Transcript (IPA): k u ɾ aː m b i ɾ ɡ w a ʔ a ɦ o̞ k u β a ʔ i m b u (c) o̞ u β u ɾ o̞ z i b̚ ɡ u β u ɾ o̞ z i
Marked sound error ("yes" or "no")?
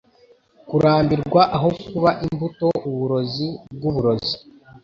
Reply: yes